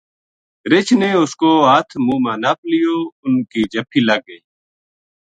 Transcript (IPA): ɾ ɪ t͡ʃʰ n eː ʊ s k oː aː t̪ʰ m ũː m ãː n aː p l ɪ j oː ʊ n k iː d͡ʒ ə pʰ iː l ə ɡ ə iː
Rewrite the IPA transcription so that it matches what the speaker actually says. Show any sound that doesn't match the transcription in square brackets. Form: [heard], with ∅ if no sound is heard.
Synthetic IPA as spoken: ɾ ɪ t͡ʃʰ n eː ʊ s k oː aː t̪ʰ m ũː m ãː n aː p l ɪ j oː ʊ n k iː d͡ʒ ə pʰ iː l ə ɡ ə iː